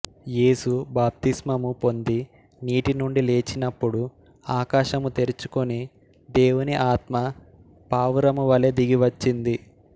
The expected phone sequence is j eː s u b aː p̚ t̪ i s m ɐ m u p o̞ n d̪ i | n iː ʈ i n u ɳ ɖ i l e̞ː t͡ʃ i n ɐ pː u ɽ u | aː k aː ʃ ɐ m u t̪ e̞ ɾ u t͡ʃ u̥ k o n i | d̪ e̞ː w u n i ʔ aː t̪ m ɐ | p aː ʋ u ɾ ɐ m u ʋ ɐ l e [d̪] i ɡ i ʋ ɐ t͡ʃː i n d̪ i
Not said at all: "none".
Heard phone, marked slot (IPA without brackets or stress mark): d̪